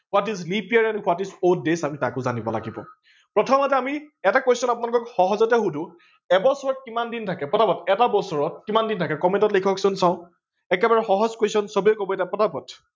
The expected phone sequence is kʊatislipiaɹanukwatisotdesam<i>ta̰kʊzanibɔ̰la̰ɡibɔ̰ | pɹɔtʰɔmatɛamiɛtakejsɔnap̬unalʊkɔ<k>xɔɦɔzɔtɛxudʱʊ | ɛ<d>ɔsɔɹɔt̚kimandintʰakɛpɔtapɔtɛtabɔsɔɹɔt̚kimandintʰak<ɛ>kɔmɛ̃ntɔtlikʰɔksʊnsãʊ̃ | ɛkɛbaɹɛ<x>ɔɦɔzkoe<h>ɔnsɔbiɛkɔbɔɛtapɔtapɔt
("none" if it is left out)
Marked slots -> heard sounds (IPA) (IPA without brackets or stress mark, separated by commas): i, k, b, ɛ, x, s